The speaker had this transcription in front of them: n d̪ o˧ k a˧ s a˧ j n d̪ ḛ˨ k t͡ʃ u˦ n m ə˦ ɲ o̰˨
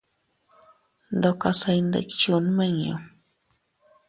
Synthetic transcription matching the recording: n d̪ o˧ k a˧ s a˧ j n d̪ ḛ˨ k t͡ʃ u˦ n m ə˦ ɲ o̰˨